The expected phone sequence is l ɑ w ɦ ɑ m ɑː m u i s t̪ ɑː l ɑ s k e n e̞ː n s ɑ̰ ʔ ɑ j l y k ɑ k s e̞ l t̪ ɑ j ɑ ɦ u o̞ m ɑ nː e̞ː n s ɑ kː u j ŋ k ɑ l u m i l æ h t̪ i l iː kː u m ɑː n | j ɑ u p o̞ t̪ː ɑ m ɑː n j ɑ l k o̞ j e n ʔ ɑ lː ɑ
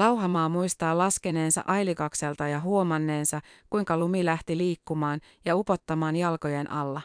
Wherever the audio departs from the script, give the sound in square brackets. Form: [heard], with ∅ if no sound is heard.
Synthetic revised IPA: l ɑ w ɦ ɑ m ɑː m u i s t̪ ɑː l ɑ s k e n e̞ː n s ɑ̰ ʔ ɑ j l [i] k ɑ k s e̞ l t̪ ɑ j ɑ ɦ u o̞ m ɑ nː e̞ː n s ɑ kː u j ŋ k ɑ l u m i l æ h t̪ i l iː kː u m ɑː n | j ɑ u p o̞ t̪ː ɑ m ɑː n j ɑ l k o̞ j e n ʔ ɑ lː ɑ